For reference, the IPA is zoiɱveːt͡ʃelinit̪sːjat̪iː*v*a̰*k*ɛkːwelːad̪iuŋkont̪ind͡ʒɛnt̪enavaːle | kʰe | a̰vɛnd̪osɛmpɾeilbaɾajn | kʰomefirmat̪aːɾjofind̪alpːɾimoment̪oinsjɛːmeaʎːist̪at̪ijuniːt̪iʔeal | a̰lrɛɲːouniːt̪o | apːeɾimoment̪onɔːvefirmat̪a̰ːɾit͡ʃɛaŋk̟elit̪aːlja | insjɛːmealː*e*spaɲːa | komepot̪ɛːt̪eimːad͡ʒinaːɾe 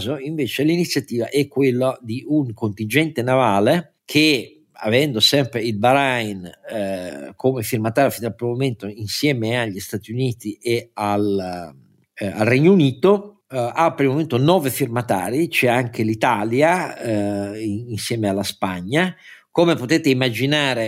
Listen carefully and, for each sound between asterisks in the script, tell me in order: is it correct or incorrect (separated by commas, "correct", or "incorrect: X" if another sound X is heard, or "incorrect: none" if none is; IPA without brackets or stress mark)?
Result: correct, incorrect: ʔ, incorrect: a